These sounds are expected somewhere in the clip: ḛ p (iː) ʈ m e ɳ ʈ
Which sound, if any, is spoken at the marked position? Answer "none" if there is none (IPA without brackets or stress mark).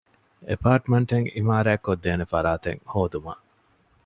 aː